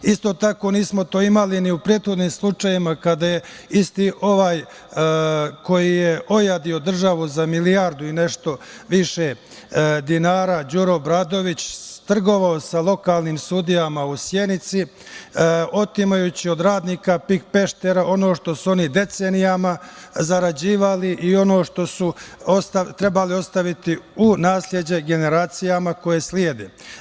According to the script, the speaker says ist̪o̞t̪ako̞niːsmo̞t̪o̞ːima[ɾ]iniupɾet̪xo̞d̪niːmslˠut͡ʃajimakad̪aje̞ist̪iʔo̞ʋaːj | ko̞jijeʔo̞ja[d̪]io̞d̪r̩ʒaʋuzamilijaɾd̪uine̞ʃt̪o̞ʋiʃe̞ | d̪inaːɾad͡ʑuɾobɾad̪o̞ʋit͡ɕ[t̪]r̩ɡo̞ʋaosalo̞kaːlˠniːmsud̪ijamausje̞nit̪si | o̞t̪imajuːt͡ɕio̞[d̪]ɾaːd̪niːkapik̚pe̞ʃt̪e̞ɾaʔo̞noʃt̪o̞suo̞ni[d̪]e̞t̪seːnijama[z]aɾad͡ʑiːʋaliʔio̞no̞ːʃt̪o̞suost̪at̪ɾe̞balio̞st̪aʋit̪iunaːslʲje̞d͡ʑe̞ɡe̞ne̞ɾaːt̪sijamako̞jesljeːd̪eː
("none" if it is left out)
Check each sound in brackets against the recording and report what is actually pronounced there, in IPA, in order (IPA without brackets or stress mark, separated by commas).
l, d̪, t̪, d̪, d̪, z